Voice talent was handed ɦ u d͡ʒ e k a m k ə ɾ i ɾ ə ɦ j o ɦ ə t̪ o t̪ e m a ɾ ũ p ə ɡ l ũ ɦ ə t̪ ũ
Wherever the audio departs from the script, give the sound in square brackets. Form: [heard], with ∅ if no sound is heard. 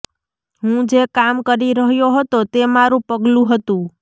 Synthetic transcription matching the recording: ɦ [ũ] d͡ʒ e k a m k ə ɾ i ɾ ə ɦ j o ɦ ə t̪ o t̪ e m a ɾ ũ p ə ɡ l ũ ɦ ə t̪ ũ

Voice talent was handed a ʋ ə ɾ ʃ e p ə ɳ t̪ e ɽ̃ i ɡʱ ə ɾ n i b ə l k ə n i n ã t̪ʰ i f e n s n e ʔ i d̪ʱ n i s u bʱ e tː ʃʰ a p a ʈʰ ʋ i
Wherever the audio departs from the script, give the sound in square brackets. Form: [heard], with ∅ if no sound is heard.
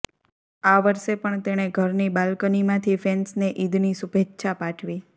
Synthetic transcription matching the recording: a ʋ ə ɾ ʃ e p ə ɳ t̪ e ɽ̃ [e] ɡʱ ə ɾ n i b [a] l k ə n i [m] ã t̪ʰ i f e n s n e ʔ i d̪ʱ n i s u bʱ e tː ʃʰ a p a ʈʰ ʋ i

